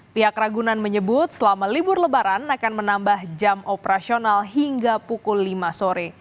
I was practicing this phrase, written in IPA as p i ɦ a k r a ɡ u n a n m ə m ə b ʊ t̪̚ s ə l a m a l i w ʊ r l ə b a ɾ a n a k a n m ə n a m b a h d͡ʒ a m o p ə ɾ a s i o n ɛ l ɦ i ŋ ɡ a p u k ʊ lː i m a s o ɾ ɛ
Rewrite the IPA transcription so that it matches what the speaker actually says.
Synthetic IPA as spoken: p i ɦ a k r a ɡ u n a n m ə ɲ ə b ʊ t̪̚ s ə l a m a l i b ʊ r l ə b a ɾ a n a k a n m ə n a m b a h d͡ʒ a m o p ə ɾ a s i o n a l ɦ i ŋ ɡ a p u k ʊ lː i m a s o ɾ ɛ